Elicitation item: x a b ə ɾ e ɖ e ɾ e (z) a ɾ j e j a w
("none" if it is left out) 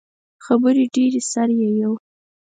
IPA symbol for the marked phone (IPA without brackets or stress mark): s